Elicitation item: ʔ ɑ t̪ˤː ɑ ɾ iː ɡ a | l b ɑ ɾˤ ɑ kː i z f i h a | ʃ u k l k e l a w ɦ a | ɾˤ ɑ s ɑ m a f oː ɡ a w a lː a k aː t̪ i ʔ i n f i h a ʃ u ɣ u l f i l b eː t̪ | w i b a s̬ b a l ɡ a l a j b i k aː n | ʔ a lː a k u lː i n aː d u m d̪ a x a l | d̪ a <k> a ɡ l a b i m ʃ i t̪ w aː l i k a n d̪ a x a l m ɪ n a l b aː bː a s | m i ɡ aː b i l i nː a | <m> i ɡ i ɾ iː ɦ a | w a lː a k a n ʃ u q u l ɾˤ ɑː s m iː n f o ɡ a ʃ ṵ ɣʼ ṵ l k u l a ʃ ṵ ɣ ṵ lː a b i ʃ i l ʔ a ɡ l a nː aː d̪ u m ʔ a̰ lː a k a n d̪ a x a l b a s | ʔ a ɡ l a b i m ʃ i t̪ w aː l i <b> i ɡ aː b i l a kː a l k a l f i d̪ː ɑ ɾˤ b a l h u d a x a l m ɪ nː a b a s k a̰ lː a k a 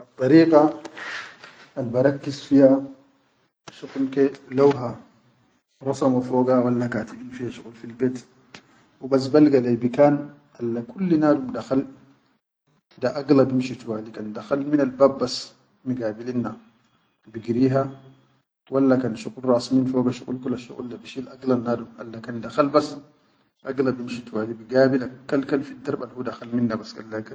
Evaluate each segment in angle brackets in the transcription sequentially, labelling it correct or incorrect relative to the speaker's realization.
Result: incorrect: ʔ, incorrect: b, correct

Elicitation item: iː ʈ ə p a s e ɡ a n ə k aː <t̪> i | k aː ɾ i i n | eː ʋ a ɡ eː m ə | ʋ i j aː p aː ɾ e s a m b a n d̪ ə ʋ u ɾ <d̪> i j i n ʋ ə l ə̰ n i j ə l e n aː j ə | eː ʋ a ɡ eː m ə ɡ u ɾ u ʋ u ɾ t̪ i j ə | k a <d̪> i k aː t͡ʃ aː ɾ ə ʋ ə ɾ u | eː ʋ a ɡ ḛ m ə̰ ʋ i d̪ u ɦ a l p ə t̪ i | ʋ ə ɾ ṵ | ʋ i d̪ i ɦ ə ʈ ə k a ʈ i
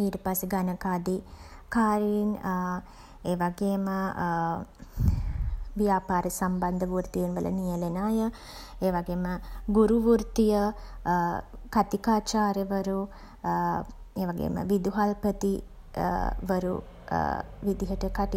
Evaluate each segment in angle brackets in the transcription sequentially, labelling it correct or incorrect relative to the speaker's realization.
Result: incorrect: d̪, incorrect: t̪, incorrect: t̪

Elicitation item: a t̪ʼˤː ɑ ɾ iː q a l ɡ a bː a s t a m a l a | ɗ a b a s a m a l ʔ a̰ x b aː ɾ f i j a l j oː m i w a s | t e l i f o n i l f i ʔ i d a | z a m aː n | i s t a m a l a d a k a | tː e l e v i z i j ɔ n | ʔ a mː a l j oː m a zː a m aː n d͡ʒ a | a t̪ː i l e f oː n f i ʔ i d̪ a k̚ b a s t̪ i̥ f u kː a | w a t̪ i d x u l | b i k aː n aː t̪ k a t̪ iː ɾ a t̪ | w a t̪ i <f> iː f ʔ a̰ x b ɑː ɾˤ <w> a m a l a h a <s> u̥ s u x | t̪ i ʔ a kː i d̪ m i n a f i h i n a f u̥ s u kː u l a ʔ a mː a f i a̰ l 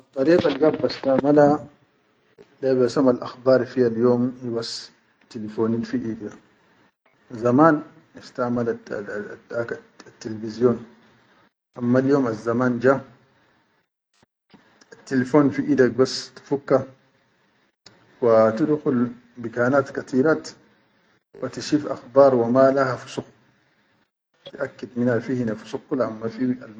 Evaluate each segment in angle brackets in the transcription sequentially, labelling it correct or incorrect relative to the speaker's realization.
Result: incorrect: ʃ, correct, incorrect: f

